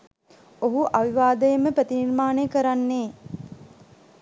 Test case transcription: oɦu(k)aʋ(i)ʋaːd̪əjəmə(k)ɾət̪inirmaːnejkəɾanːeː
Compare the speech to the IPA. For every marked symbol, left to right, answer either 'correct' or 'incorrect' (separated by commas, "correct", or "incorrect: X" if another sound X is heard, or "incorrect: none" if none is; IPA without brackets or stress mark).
incorrect: ʔ, correct, incorrect: p